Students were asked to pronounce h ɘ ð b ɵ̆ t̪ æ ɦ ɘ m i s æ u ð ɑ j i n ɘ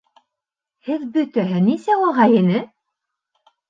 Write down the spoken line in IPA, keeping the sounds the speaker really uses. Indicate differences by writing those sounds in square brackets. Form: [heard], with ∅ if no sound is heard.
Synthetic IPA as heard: h ɘ ð b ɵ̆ t̪ æ ɦ ɘ [n] i s æ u [ʁ] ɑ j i n ɘ